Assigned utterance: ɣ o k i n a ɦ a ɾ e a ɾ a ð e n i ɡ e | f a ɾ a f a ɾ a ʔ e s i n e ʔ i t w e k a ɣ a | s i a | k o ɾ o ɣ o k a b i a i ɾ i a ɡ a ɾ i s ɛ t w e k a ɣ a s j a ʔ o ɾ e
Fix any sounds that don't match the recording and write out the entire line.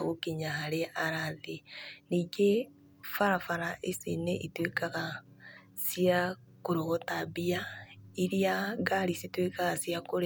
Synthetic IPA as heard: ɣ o k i ɲ a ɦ a ɾ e a ɾ a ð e n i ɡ e | f a ɾ a f a ɾ a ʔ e s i n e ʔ i t w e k a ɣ a | s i a | k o ɾ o ɣ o t a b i a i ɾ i a ɡ a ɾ i s i t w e k a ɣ a s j a k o ɾ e